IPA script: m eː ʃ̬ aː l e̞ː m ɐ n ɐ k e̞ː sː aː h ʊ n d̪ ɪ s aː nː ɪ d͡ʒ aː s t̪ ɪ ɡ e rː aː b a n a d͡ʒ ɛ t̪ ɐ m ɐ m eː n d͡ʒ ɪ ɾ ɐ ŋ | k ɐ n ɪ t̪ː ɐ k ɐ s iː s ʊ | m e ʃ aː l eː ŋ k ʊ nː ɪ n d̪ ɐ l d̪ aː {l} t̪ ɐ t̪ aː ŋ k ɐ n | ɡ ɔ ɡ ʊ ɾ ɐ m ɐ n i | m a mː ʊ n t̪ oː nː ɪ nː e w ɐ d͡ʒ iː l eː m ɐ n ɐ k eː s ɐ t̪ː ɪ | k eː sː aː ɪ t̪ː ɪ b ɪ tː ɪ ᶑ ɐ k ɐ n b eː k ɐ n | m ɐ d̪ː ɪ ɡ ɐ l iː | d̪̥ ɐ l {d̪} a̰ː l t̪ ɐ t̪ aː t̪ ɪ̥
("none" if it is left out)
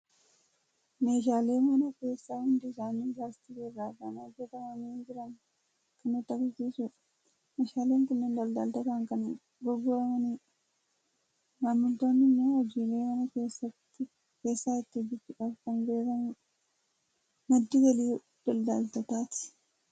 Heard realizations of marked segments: l, d̪

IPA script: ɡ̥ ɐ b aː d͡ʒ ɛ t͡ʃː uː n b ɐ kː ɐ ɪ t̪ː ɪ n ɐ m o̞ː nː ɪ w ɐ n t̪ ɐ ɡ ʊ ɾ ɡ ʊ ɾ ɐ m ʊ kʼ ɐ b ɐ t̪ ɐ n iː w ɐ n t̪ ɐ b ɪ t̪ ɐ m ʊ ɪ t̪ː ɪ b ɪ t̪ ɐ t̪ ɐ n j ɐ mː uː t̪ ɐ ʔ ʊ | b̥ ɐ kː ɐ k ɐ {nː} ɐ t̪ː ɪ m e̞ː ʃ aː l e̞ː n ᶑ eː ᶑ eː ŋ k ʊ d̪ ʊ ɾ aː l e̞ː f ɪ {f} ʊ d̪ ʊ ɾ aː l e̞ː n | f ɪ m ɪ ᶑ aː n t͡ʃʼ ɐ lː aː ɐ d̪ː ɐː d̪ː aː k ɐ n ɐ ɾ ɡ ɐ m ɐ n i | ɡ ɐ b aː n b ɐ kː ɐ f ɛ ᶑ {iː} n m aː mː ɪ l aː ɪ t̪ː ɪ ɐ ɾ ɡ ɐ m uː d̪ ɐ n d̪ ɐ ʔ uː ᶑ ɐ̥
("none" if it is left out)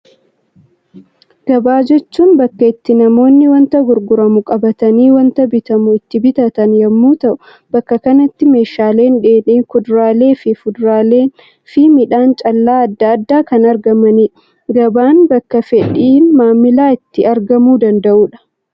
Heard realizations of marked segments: n, f, iː

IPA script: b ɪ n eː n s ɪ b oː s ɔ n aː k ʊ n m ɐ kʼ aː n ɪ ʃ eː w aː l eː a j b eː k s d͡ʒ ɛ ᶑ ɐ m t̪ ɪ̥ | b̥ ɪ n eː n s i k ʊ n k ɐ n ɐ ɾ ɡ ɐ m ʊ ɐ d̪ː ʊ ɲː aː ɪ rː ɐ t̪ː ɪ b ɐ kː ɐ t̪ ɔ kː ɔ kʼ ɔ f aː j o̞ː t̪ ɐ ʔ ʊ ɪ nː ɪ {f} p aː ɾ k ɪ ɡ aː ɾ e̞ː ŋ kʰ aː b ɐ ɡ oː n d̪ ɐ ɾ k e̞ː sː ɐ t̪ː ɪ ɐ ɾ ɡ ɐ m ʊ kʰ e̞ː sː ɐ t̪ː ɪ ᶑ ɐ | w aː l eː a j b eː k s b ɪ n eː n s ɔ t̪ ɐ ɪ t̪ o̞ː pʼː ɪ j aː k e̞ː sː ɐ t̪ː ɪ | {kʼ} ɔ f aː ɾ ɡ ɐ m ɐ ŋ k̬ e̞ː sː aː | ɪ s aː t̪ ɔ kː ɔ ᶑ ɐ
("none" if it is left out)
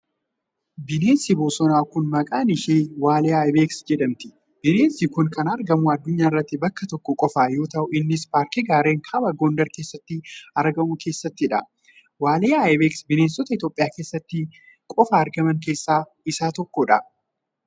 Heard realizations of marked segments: s, kʼ

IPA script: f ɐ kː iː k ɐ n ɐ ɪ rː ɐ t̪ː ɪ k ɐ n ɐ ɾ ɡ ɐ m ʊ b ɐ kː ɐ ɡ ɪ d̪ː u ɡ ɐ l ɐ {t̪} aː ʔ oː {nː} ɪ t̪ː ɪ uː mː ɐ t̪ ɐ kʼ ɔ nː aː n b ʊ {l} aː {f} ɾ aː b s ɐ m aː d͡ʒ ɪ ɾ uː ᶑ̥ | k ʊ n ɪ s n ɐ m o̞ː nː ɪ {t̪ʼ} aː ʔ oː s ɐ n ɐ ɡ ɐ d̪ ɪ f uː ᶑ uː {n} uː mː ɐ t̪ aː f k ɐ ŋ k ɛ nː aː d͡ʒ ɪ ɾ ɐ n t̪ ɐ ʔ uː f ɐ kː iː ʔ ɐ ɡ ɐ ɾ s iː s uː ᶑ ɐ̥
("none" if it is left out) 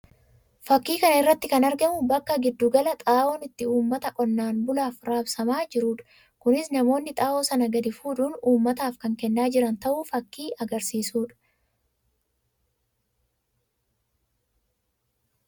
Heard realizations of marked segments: t̪ʼ, n, l, f, t̪ʼ, n

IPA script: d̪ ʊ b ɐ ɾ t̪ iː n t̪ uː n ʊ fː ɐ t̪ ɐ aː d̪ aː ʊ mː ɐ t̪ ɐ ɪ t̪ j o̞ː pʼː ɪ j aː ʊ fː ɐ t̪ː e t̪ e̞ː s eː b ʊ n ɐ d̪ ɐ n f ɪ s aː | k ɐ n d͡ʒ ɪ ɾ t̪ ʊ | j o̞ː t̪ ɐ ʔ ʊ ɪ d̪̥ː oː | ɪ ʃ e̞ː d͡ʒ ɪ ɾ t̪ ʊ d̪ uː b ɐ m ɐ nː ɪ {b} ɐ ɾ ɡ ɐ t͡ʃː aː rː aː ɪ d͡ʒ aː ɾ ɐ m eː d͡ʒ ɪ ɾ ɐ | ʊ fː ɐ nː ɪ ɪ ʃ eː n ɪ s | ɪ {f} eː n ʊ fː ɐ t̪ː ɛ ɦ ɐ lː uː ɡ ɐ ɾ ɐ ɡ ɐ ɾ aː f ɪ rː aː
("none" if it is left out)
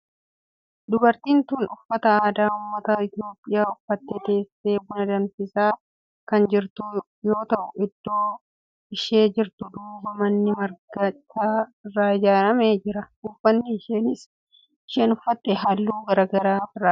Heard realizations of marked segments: m, ʃ

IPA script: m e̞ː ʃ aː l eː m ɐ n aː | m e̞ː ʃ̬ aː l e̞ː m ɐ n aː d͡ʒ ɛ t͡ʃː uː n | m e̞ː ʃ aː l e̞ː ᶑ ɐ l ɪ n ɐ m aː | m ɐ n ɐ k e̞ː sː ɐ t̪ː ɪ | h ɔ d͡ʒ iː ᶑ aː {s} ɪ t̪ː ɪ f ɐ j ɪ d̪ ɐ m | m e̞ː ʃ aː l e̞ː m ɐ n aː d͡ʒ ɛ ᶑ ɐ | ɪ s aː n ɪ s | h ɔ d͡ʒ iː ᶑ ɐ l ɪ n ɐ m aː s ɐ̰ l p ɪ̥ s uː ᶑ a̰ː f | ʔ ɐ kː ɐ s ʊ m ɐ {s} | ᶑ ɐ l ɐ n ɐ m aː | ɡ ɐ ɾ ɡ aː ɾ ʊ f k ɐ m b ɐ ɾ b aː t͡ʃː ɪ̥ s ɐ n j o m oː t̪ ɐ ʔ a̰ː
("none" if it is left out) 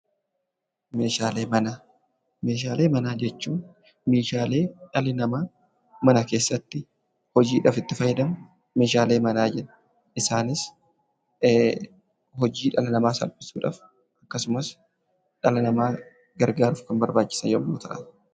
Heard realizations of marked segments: f, s

